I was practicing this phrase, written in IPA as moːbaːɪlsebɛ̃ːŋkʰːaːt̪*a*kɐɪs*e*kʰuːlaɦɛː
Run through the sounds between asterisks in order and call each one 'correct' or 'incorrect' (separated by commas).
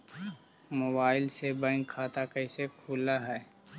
correct, correct